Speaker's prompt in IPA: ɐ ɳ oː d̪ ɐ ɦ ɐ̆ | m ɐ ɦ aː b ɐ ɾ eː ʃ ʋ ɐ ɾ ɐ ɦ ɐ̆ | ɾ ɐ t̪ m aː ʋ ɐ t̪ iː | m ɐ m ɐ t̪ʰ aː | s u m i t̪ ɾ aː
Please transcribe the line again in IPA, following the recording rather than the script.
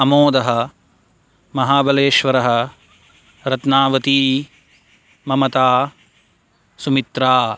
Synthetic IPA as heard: ɐ m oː d̪ ɐ ɦ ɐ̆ | m ɐ ɦ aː b ɐ l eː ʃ ʋ ɐ ɾ ɐ ɦ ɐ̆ | ɾ ɐ t̪ n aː ʋ ɐ t̪ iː | m ɐ m ɐ t̪ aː | s u m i t̪ ɾ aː